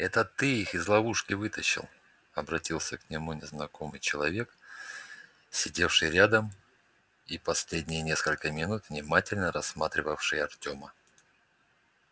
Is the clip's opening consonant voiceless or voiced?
voiceless